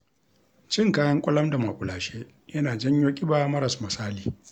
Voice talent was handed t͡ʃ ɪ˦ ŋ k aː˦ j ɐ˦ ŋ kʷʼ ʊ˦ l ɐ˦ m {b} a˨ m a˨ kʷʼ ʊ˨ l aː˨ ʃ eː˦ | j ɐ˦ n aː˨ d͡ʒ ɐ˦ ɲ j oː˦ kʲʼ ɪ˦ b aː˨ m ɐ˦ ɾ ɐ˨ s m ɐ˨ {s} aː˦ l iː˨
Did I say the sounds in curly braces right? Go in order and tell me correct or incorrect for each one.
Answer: incorrect: d, correct

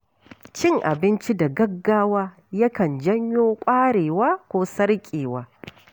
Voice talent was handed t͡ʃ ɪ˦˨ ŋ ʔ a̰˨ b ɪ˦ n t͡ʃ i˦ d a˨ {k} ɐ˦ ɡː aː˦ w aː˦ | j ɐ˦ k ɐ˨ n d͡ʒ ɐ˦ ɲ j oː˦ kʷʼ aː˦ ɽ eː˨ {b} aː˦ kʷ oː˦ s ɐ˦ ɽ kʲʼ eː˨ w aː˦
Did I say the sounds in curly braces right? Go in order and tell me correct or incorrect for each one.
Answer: incorrect: ɡ, incorrect: w

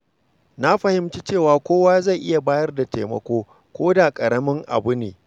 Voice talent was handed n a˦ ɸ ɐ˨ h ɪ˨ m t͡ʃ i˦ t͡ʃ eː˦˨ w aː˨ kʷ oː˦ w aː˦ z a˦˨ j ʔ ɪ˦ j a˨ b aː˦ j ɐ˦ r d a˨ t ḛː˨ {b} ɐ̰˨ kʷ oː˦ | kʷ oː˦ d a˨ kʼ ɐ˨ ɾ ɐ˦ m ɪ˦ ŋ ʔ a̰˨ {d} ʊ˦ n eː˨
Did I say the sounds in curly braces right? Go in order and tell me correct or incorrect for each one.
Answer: incorrect: m, incorrect: b

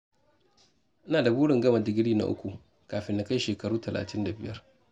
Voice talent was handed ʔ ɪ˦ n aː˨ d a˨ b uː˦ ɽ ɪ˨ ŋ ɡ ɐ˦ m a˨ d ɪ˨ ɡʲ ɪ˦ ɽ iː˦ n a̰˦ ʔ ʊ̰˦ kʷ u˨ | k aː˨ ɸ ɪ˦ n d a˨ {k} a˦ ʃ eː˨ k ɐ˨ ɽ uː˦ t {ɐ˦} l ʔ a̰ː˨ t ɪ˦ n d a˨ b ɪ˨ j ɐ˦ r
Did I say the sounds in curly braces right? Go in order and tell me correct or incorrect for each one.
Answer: correct, incorrect: ɐ˨

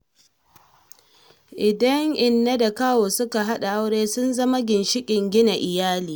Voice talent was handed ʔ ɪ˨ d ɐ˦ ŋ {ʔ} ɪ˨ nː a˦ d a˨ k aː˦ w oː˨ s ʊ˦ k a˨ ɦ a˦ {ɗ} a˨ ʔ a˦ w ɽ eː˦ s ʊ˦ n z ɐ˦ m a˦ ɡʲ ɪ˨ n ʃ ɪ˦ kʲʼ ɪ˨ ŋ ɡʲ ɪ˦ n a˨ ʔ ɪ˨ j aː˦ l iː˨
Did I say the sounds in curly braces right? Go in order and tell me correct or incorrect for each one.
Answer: correct, correct

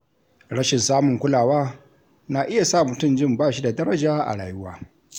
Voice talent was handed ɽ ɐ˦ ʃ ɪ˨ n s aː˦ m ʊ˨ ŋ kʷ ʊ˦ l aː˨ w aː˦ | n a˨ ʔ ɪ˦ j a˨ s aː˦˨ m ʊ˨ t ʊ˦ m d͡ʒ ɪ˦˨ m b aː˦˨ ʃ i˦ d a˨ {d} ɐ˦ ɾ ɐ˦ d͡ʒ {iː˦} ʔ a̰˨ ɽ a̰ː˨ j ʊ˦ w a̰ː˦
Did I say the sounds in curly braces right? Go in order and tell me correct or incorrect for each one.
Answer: correct, incorrect: aː˦

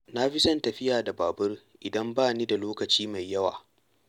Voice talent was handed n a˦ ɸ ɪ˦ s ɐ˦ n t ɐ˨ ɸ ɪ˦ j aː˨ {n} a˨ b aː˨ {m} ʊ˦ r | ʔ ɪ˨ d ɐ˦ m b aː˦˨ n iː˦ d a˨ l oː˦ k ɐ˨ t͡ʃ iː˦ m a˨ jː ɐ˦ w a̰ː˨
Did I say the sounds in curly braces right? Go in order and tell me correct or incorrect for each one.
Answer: incorrect: d, incorrect: b

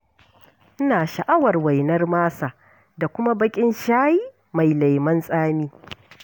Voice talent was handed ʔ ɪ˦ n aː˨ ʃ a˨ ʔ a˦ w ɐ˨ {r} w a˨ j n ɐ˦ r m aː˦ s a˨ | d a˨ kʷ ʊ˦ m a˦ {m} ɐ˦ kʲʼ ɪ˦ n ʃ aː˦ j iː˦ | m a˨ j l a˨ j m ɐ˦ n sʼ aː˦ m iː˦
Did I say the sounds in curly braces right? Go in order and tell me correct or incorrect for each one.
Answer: correct, incorrect: b

